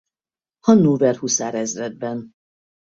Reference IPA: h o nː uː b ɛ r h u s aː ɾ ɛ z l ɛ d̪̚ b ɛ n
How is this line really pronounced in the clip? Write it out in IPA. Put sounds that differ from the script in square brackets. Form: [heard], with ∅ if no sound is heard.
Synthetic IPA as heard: h [ɒ] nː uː [v] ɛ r h u s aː ɾ ɛ z [r] ɛ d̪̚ b ɛ n

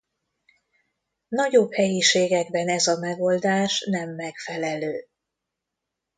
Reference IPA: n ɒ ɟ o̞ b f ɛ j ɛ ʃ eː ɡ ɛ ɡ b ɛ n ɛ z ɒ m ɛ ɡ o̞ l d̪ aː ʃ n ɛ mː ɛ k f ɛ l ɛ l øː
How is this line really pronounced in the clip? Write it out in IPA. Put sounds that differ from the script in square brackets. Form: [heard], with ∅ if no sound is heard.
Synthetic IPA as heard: n ɒ ɟ o̞ b [h] ɛ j [i] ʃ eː ɡ ɛ ɡ b ɛ n ɛ z ɒ m ɛ ɡ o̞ l d̪ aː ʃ n ɛ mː ɛ k f ɛ l ɛ l øː

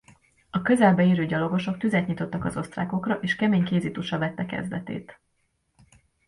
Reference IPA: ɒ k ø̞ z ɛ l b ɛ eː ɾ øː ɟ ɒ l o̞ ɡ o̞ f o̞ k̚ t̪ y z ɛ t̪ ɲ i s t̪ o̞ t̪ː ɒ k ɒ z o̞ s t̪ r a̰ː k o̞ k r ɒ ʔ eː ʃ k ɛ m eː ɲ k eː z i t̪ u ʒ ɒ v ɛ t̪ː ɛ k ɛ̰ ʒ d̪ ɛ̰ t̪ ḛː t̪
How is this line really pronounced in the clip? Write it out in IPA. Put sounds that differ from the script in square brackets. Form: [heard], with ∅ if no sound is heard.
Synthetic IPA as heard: ɒ k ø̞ z ɛ l b ɛ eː ɾ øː ɟ ɒ l o̞ ɡ o̞ [ʃ] o̞ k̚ t̪ y z ɛ t̪ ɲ i [∅] t̪ o̞ t̪ː ɒ k ɒ z o̞ s t̪ r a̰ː k o̞ k r ɒ ʔ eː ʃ k ɛ m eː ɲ k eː z i t̪ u [ʃ] ɒ v ɛ t̪ː ɛ k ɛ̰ [z] d̪ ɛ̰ t̪ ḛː t̪

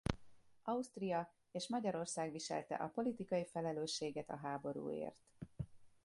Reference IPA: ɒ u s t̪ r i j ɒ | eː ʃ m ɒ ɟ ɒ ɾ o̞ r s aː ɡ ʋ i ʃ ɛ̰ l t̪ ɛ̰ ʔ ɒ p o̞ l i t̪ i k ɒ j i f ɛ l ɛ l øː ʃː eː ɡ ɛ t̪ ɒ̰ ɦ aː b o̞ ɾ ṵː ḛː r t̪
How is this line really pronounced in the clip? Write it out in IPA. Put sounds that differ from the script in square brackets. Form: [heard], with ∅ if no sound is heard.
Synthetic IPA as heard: ɒ u s t̪ r i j ɒ | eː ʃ m ɒ ɟ ɒ ɾ o̞ r s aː ɡ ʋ i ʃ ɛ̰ l t̪ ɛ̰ ʔ ɒ p o̞ l i t̪ i k ɒ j i f ɛ l ɛ l øː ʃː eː ɡ ɛ t̪ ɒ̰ ɦ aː b o̞ ɾ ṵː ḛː r t̪

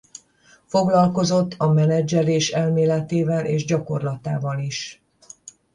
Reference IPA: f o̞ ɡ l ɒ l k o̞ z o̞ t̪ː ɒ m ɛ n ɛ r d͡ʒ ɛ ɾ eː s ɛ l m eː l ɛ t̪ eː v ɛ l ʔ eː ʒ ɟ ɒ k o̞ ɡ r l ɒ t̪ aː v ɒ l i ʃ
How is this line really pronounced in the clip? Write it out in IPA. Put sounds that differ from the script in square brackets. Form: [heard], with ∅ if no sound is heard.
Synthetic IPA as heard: f o̞ ɡ l ɒ l k o̞ z o̞ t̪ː ɒ m ɛ n ɛ [∅] d͡ʒ ɛ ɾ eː [ʃ] ɛ l m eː l ɛ t̪ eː v ɛ l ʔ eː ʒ ɟ ɒ k o̞ [∅] r l ɒ t̪ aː v ɒ l i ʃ

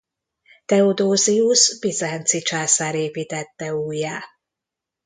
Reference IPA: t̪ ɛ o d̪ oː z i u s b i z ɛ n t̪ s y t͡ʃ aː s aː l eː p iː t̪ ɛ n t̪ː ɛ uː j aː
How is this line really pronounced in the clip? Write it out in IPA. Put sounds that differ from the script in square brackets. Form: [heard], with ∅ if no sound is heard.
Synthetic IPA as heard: t̪ ɛ o d̪ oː z i u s b i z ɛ n t̪ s [i] t͡ʃ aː s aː [ɾ] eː p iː t̪ ɛ [∅] t̪ː ɛ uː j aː

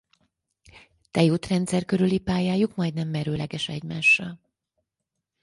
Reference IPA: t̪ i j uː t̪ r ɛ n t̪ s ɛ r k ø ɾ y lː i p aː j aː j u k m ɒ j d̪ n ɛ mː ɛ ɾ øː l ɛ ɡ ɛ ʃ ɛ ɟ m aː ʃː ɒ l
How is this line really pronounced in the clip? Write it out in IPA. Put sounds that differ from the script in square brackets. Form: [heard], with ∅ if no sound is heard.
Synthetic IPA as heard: t̪ [ɛ] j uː t̪ r ɛ n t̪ s ɛ r k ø ɾ y [l] i p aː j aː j u k m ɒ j d̪ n ɛ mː ɛ ɾ øː l ɛ ɡ ɛ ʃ ɛ ɟ m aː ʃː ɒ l

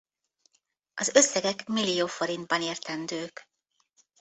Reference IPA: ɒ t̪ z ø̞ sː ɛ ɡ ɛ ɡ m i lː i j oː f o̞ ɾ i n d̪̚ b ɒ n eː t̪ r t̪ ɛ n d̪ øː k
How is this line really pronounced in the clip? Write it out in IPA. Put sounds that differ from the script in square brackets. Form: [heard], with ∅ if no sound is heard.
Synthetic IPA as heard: ɒ [∅] z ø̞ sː ɛ ɡ ɛ [k] m i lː i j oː f o̞ ɾ i n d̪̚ b ɒ n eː [∅] r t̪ ɛ n d̪ øː k

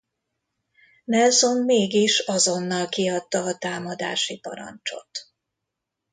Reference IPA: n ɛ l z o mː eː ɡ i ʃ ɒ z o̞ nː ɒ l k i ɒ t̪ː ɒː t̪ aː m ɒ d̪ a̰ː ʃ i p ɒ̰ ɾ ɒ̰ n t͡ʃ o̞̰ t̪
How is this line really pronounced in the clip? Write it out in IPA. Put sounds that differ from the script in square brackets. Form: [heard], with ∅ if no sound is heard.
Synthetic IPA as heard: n ɛ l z o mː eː ɡ i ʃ ɒ z o̞ nː ɒ l k i ɒ t̪ː ɒː t̪ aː m ɒ d̪ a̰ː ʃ i p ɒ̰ ɾ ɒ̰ n t͡ʃ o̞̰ t̪

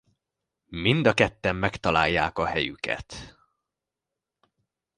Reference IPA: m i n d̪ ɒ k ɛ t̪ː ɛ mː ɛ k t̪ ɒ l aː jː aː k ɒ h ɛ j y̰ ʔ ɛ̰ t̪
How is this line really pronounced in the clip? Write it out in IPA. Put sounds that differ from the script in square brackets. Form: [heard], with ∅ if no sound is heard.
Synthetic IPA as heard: m i n d̪ ɒ k ɛ t̪ː ɛ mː ɛ k t̪ ɒ l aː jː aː k ɒ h ɛ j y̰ [k] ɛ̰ t̪

